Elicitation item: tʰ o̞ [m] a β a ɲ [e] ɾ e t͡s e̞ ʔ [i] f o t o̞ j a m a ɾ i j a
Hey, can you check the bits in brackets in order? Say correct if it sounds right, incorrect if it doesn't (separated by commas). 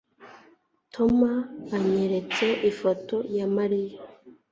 correct, correct, correct